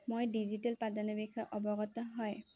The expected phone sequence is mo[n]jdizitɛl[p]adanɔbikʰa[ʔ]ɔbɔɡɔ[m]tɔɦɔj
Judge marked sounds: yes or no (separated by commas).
no, yes, yes, no